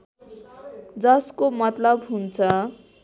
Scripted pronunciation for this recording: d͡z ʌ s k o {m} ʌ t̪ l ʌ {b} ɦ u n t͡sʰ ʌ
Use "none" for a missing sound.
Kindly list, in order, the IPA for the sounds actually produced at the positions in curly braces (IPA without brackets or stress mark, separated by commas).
m, b